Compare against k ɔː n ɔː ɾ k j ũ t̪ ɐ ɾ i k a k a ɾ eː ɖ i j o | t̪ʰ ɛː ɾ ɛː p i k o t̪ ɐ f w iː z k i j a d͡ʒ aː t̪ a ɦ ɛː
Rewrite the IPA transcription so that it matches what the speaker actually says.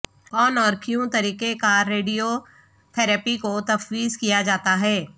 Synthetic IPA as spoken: k ɔː n ɔː ɾ k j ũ t̪ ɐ ɾ iː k e k a ɾ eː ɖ i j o | t̪ʰ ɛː ɾ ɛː p i k o t̪ ɐ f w iː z k i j a d͡ʒ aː t̪ a ɦ ɛː